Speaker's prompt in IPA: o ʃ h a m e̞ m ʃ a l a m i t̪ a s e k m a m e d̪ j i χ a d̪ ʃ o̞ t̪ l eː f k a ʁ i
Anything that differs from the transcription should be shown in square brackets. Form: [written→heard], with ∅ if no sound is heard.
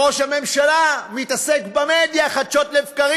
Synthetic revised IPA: o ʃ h a m e̞ m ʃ a l a m i t̪ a s e k [m→b] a m e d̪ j [i→a] χ a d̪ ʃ o̞ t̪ l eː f k a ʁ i